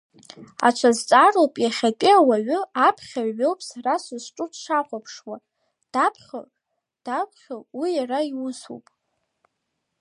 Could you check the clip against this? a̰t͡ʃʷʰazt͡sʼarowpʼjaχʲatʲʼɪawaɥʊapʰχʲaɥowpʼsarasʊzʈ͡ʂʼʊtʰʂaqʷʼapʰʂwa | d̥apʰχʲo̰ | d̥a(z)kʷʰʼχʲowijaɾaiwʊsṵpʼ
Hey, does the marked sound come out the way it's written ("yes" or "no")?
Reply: no